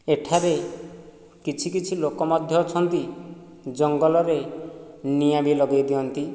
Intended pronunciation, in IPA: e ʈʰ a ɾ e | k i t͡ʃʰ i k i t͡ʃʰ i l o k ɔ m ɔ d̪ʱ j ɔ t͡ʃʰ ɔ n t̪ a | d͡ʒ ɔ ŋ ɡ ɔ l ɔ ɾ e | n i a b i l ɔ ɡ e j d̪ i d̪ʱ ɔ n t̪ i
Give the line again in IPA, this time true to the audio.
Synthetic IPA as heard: e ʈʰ a ɾ e | k i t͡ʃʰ i k i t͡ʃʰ i l o k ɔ m ɔ d̪ʱ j ɔ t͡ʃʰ ɔ n t̪ i | d͡ʒ ɔ ŋ ɡ ɔ l ɔ ɾ e | n i a b i l ɔ ɡ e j d̪ i ɔ n t̪ i